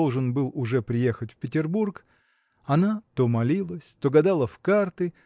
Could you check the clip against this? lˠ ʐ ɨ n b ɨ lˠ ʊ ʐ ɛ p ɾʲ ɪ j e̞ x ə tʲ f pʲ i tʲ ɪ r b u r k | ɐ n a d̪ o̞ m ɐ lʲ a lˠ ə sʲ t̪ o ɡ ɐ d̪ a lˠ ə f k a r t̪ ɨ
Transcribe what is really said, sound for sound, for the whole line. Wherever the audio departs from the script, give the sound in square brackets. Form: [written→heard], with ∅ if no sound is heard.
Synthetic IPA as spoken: lˠ ʐ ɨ n b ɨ lˠ ʊ ʐ ɛ p ɾʲ ɪ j e̞ x ə tʲ f pʲ [i→ɪ] tʲ ɪ r b u r k | ɐ n a [d̪→t̪] o̞ m ɐ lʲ [a→i] lˠ ə sʲ t̪ o ɡ ɐ d̪ a lˠ ə f k a r t̪ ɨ